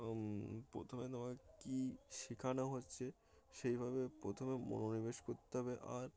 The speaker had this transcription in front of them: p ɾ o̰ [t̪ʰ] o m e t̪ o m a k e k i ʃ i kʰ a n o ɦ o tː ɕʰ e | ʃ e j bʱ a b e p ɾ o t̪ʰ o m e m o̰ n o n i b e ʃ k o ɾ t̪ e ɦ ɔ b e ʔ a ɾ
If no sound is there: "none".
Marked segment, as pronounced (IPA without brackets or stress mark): t̪ʰ